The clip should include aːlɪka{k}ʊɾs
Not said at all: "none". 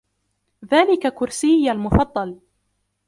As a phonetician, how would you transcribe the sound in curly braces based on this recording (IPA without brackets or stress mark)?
k